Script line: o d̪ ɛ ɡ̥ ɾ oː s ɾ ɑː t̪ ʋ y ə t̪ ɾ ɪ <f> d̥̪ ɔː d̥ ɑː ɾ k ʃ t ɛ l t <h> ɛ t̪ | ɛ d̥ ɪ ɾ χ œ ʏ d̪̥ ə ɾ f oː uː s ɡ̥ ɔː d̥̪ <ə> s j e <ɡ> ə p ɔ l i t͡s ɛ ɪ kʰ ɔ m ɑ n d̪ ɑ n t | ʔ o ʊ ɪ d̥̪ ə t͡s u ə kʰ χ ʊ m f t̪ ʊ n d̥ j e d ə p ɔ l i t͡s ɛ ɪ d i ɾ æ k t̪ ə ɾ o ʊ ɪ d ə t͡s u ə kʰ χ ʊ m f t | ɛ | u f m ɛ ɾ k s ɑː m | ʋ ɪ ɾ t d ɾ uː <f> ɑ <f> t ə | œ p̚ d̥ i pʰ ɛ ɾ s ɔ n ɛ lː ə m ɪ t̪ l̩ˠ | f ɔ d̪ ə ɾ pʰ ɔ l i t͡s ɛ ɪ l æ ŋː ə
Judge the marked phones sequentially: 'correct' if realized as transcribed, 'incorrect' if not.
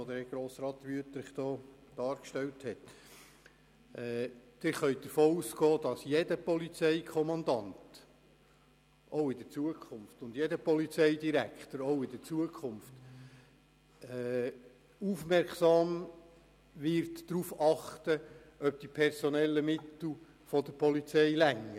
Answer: incorrect: χ, correct, incorrect: ɑ, incorrect: d, correct, incorrect: χ

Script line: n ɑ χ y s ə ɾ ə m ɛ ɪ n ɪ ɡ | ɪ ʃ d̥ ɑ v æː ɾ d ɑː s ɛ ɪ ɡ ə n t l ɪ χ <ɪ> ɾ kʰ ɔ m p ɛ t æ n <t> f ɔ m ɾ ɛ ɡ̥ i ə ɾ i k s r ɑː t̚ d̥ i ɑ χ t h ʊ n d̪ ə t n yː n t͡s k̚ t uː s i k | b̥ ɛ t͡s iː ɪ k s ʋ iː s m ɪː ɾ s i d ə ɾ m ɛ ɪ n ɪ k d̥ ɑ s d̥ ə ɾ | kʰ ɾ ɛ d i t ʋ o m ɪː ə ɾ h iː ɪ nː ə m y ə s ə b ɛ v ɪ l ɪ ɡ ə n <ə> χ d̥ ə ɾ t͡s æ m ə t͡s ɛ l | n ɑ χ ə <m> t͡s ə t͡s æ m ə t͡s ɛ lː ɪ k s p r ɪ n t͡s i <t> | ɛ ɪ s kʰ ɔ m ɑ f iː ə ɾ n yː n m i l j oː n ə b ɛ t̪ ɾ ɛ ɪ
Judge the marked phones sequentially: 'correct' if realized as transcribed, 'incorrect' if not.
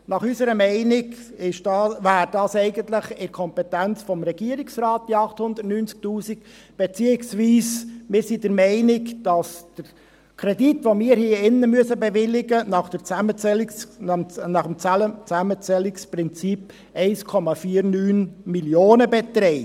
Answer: correct, incorrect: t͡s, incorrect: ɑ, correct, incorrect: p

